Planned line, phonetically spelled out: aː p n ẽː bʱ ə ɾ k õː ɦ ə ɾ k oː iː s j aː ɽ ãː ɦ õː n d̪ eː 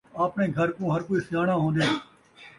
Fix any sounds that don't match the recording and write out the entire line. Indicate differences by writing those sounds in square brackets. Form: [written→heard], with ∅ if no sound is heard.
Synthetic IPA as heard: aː p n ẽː [bʱ→ɡʱ] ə ɾ k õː ɦ ə ɾ k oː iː s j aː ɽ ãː ɦ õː n d̪ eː